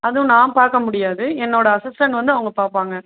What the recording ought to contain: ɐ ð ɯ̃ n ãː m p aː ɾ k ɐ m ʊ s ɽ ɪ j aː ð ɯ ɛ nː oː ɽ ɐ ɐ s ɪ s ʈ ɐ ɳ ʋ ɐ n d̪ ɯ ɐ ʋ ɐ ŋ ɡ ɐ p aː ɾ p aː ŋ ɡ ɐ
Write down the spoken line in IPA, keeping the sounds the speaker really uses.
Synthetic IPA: ɐ ð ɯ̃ n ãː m p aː ɾ k ɐ m ʊ ɽ ɪ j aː ð ɯ ɛ nː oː ɽ ɐ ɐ s ɪ s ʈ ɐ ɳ ʋ ɐ n d̪ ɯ ɐ ʋ ɐ ŋ ɡ ɐ p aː ɾ p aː ŋ ɡ ɐ